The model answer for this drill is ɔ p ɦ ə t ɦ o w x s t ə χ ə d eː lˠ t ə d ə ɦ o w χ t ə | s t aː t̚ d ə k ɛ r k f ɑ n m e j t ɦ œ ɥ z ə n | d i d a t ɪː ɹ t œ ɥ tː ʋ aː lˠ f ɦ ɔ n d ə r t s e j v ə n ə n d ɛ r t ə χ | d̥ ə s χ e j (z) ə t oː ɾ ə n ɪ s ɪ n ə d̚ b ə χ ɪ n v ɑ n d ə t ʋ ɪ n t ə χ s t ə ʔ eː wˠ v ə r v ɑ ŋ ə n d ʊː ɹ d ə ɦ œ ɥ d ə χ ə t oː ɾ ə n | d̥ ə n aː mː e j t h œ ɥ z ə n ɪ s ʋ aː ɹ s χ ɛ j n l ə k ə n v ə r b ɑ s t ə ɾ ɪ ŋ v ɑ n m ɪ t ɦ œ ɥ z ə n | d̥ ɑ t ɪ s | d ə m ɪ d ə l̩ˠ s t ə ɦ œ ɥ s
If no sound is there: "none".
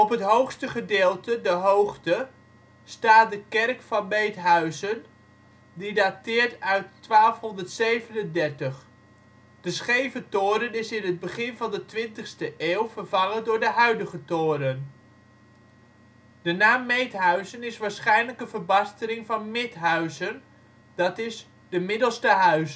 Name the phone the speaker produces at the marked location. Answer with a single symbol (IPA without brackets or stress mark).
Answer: v